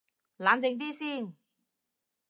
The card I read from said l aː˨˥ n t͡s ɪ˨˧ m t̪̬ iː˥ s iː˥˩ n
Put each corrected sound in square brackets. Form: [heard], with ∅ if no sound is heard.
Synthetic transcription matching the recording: l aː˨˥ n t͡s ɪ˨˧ [ŋ] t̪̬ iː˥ s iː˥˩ n